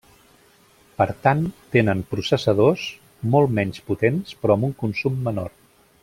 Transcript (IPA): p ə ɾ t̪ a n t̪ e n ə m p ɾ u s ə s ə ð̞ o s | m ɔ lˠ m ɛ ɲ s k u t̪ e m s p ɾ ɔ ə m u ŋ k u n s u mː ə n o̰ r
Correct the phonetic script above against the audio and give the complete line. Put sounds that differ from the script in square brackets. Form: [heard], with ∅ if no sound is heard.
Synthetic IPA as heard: p ə ɾ t̪ a n t̪ e n ə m p ɾ u s ə s ə ð̞ o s | m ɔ lˠ m ɛ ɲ s [p] u t̪ e [n] s p ɾ ɔ ə m u ŋ k u n s u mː ə n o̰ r